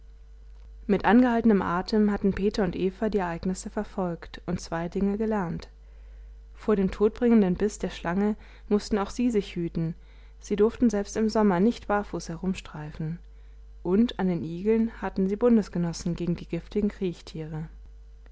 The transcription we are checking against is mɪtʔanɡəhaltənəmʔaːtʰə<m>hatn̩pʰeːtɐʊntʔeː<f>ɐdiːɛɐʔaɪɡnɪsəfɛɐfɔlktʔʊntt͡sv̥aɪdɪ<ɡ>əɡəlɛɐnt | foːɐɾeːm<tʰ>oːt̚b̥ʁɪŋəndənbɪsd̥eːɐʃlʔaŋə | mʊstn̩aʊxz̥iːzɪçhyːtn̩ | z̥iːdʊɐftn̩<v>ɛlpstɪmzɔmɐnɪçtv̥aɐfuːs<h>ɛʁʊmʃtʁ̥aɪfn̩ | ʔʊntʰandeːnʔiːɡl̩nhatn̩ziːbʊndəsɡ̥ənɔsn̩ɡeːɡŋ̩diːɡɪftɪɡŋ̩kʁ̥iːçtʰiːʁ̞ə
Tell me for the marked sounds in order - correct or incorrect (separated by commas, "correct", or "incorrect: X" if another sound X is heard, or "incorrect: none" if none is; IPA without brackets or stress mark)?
correct, correct, incorrect: ŋ, correct, incorrect: z, correct